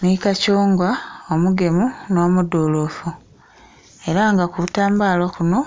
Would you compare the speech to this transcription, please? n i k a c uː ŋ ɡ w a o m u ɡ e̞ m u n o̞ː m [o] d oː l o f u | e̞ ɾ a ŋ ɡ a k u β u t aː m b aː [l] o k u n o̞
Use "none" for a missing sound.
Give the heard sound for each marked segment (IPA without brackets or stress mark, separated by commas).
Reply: u, l